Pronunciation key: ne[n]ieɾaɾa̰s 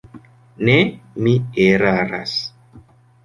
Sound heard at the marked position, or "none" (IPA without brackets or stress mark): m